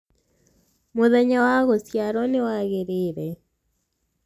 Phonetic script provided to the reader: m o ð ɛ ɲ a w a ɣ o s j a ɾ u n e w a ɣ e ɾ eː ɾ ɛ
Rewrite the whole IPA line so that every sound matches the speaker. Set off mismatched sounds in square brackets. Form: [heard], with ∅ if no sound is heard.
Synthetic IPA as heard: m o ð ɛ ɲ a w a ɣ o s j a ɾ [ɔ] n e w a ɣ e ɾ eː ɾ ɛ